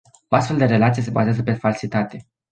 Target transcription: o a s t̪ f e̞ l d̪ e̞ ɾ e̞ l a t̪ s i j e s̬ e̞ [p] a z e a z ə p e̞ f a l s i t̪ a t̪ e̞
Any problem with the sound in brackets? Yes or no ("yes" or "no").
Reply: yes